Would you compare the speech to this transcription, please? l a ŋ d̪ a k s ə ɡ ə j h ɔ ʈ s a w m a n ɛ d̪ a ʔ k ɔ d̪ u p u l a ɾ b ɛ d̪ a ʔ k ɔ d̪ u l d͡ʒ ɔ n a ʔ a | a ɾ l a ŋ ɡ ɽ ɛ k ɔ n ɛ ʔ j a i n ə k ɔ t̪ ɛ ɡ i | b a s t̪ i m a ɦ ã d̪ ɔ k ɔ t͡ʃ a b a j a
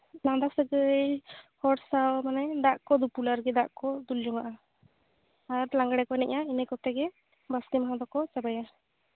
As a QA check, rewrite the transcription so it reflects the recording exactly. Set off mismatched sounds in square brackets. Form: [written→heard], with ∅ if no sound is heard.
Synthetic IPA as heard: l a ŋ d̪ a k s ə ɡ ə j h ɔ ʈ s a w m a n ɛ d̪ a ʔ k ɔ d̪ u p u l a ɾ [b→ɡ] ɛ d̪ a ʔ k ɔ d̪ u l d͡ʒ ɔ [n→ŋ] a ʔ a | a ɾ l a ŋ ɡ ɽ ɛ k ɔ n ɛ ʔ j a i n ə k ɔ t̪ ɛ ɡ [i→ɛ] | b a s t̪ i m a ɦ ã d̪ ɔ k ɔ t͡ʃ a b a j a